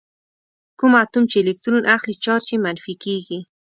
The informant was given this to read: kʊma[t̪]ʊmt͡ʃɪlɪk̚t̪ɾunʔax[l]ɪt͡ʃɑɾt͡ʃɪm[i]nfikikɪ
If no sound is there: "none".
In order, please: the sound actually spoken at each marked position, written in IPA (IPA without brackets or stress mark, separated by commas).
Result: t̪, l, a